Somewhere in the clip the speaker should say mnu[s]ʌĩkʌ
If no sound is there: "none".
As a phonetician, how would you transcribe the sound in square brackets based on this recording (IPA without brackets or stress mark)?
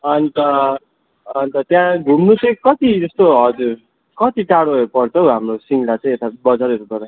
t͡s